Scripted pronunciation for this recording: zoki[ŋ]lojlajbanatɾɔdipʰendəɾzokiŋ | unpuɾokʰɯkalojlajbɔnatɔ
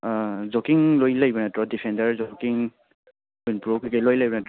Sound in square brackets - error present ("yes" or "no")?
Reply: no